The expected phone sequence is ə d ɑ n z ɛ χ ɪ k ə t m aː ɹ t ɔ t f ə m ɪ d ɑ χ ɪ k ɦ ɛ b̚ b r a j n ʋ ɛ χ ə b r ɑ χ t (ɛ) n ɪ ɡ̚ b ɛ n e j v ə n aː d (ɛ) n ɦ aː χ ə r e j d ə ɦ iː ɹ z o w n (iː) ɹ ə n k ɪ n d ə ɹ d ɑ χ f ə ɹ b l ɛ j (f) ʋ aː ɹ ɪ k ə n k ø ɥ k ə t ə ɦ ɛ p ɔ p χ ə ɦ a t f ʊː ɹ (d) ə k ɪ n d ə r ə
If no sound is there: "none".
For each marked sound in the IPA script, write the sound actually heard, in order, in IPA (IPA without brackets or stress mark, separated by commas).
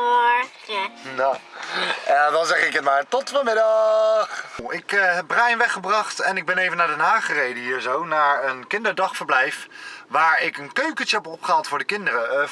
ɛ, ɛ, aː, f, d